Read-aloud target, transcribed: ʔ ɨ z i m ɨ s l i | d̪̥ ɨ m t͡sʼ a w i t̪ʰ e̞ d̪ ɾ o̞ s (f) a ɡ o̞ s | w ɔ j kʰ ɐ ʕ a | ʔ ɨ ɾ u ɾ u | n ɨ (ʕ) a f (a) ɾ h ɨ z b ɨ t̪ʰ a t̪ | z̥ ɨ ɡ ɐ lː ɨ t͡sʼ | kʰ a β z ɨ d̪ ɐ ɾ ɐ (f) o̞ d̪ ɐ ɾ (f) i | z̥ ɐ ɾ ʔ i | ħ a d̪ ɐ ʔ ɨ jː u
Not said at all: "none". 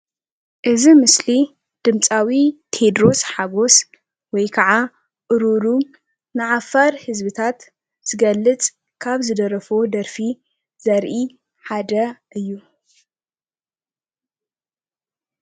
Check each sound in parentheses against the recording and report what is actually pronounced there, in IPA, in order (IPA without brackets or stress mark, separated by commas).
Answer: ħ, ʕ, a, f, f